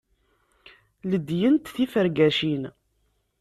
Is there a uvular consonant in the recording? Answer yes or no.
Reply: no